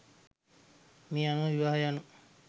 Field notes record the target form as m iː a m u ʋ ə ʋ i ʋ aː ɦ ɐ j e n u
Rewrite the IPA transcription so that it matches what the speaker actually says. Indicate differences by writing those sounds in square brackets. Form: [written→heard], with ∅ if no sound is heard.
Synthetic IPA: m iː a [m→n] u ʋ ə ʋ i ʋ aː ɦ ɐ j [e→a] n u